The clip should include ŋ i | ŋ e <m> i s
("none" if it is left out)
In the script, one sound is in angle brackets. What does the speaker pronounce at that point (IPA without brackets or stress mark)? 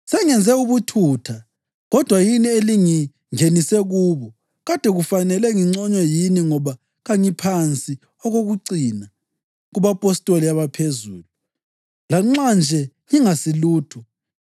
n